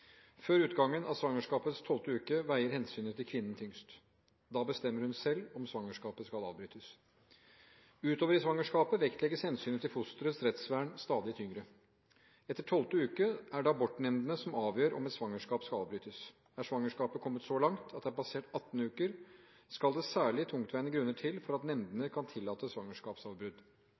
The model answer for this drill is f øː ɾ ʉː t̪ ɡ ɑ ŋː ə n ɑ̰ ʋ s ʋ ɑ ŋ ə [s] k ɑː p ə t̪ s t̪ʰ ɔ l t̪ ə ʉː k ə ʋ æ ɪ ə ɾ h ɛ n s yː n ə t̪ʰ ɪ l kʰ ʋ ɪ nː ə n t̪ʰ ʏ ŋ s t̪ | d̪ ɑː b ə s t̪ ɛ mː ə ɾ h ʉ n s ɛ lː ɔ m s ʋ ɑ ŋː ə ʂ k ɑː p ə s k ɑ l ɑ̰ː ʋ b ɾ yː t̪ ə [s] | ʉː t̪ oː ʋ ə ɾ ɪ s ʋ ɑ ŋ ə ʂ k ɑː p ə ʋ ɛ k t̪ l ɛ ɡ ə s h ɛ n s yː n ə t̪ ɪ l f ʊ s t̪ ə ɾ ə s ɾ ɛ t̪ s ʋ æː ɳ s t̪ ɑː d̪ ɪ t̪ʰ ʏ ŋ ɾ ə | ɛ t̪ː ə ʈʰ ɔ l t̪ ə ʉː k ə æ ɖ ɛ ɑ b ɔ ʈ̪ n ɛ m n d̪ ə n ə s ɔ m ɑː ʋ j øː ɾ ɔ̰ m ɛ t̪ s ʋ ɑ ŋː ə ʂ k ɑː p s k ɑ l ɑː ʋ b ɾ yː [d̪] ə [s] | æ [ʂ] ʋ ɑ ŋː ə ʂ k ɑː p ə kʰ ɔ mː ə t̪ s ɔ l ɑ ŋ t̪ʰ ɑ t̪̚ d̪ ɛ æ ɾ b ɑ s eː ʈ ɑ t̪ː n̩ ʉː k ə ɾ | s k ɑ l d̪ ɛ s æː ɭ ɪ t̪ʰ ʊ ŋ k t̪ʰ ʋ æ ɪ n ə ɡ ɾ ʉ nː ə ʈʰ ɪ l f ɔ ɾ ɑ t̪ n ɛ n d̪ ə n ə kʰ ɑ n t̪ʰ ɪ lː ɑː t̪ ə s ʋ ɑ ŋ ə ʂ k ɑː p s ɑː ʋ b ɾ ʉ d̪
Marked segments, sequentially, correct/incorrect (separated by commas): incorrect, correct, incorrect, correct, correct